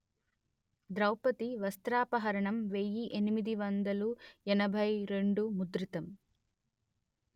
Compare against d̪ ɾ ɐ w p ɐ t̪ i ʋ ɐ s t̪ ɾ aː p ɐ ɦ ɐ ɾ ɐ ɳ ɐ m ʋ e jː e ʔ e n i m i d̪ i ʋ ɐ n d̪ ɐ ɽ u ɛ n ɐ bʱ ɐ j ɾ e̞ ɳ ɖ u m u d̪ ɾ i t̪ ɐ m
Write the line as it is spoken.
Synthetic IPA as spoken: d̪ ɾ ɐ w p ɐ t̪ i ʋ ɐ s t̪ ɾ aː p ɐ ɦ ɐ ɾ ɐ ɳ ɐ m ʋ e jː i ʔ e n i m i d̪ i ʋ ɐ n d̪ ɐ l u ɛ n ɐ bʱ ɐ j ɾ e̞ ɳ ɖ u m u d̪ ɾ i t̪ ɐ m

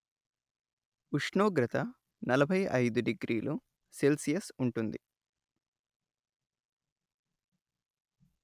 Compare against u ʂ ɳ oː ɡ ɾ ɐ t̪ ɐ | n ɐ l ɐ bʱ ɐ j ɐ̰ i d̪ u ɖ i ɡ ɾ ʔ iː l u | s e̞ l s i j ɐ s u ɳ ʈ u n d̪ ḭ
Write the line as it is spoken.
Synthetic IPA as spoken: u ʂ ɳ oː ɡ ɾ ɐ t̪ ɐ | n ɐ l ɐ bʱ ɐ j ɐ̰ j d̪ u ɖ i ɡ ɾ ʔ iː l u | s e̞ l s i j ɐ s u ɳ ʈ u n d̪ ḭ

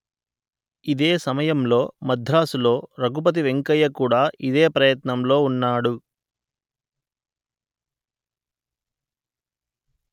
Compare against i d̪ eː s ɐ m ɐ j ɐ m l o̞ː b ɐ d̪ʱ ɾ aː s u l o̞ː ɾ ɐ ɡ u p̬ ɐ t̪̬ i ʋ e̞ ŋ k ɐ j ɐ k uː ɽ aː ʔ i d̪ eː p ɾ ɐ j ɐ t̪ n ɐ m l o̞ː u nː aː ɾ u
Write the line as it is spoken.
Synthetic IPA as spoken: i d̪ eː s ɐ m ɐ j ɐ m l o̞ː m ɐ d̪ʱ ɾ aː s u l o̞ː ɾ ɐ ɡ u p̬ ɐ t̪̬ i ʋ e̞ ŋ k ɐ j ɐ k uː ɽ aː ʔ i d̪ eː p ɾ ɐ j ɐ t̪ n ɐ m l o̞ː u nː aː ɽ u

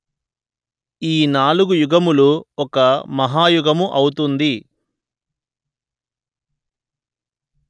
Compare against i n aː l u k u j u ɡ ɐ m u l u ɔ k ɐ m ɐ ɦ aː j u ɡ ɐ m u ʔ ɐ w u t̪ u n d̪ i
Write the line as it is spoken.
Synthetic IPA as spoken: iː n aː l u ɡ u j u ɡ ɐ m u l u ɔ k ɐ m ɐ ɦ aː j u ɡ ɐ m u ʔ ɐ w u t̪ u n d̪ i

